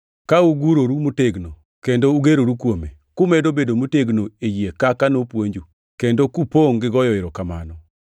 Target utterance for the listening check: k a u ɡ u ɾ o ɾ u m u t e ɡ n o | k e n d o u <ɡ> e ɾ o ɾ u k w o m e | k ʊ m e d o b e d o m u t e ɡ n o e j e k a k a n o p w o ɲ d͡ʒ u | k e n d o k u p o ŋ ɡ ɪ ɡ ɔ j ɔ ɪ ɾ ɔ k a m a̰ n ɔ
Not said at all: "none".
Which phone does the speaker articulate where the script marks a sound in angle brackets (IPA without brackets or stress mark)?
ɡ